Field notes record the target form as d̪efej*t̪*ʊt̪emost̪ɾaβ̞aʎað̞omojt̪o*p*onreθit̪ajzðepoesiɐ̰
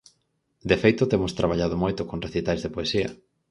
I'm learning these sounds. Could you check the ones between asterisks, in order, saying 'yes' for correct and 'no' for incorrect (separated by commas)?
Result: yes, no